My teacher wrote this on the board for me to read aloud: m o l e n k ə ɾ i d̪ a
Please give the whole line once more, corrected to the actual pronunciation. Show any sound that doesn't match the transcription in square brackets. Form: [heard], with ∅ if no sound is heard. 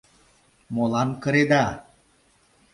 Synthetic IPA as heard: m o l [a] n k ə ɾ [e] d̪ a